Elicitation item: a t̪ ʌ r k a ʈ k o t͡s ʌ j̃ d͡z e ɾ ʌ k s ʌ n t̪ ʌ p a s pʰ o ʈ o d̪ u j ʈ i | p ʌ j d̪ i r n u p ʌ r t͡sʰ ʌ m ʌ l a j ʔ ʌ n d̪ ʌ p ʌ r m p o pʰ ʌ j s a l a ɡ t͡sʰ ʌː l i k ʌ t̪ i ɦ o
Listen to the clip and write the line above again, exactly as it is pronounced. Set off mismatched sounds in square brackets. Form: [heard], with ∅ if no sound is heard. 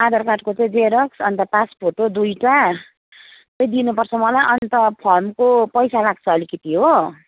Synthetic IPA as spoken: a [d̪] ʌ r k a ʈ k o t͡s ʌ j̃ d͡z e ɾ ʌ k s ʌ n t̪ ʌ p a s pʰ o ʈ o d̪ u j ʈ [a] | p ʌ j d̪ i [∅] n u p ʌ r t͡sʰ ʌ m ʌ l a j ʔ ʌ n [t̪] ʌ [pʰ] ʌ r m [k] o [p] ʌ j s a l a ɡ t͡sʰ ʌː l i k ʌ t̪ i ɦ o